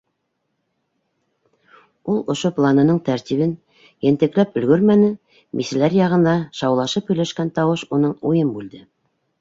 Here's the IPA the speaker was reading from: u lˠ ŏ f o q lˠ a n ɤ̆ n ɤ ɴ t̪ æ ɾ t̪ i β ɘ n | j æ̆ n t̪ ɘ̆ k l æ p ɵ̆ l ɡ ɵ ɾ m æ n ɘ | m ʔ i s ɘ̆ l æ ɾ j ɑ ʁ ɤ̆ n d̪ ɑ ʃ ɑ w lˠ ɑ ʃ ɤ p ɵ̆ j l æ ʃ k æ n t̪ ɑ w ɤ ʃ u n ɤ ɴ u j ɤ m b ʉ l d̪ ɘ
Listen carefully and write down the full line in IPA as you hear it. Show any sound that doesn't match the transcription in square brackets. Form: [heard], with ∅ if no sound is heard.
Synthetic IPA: u lˠ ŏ [ʃ] o [p] lˠ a n ɤ̆ n ɤ ɴ t̪ æ ɾ t̪ i β ɘ n | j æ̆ n t̪ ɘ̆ k l æ p ɵ̆ l ɡ ɵ ɾ m æ n ɘ | m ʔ i s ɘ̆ l æ ɾ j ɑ ʁ ɤ̆ n d̪ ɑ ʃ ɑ w lˠ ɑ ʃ ɤ p ɵ̆ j l æ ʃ k æ n t̪ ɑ w ɤ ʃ u n ɤ ɴ u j ɤ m b ʉ l d̪ ɘ